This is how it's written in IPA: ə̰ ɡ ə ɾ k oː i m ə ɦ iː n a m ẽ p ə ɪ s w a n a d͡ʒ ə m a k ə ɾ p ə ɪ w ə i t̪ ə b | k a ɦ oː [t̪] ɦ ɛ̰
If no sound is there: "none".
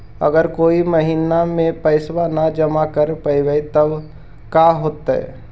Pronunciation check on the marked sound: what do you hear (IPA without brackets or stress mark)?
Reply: t̪